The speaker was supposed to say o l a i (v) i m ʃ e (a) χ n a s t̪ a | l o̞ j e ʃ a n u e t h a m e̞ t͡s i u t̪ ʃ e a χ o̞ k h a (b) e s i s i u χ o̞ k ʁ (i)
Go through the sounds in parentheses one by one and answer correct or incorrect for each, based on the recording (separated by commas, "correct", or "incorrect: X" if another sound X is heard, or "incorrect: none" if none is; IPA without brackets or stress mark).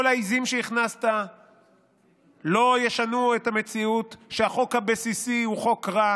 incorrect: z, incorrect: i, correct, incorrect: a